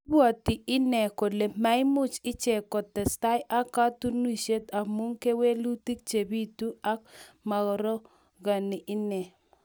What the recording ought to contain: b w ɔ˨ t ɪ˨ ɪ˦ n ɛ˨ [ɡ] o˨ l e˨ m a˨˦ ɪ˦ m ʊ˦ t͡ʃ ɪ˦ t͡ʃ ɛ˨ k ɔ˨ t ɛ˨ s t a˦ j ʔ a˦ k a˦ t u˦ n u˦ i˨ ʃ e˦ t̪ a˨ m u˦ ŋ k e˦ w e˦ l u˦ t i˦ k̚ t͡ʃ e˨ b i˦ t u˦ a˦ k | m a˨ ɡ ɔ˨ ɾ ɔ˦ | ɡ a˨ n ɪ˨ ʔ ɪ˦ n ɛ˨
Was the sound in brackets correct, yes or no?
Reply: no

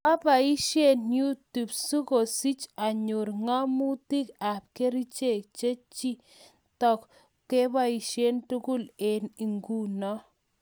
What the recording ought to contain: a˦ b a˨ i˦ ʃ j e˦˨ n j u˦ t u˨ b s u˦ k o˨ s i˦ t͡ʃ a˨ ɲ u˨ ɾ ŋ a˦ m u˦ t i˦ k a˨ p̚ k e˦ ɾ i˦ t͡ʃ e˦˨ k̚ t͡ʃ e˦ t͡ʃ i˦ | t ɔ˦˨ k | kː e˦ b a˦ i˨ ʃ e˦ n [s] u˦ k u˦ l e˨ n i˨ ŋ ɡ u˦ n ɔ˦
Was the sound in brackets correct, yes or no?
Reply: no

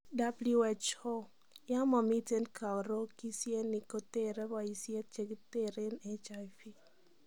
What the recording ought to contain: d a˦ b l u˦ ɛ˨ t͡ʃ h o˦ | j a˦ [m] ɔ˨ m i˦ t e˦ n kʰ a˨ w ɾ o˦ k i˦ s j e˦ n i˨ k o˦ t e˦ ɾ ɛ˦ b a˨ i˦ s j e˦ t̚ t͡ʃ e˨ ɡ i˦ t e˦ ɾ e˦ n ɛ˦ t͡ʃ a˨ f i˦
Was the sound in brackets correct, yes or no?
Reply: yes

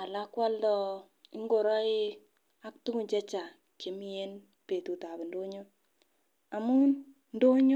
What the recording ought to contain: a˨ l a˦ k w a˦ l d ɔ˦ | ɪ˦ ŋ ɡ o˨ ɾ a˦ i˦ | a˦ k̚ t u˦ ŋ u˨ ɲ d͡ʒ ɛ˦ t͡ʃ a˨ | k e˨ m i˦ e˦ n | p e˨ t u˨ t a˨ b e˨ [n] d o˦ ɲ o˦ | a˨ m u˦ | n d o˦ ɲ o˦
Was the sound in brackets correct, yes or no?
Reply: yes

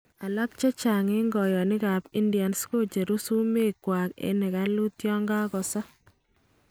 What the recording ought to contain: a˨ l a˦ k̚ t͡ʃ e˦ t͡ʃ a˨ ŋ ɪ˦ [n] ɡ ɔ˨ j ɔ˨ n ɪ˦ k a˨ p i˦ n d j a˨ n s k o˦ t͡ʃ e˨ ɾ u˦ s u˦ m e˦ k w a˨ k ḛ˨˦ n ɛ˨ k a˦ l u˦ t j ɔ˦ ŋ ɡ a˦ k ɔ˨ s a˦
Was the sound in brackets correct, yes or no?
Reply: no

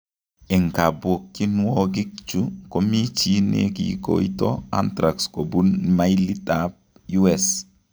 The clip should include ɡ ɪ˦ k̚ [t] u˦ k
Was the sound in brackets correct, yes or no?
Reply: no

